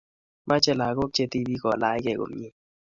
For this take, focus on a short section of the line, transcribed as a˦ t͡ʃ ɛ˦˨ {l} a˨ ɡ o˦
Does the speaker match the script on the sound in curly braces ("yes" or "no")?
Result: yes